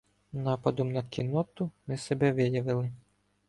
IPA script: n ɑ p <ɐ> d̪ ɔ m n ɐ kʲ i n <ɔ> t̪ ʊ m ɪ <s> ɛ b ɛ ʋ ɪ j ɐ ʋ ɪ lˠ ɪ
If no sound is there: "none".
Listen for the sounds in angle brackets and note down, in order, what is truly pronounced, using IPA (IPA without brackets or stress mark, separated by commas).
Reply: ɐ, ɔ, s